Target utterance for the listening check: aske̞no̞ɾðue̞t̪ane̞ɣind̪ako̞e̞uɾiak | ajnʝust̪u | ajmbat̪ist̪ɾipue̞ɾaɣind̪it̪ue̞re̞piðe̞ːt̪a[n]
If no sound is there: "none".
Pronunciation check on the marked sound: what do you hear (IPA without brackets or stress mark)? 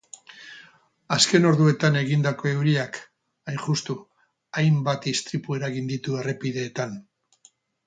n